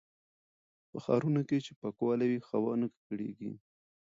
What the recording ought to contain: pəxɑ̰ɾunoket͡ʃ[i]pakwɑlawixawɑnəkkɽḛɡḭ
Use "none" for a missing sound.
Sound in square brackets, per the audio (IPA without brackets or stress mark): e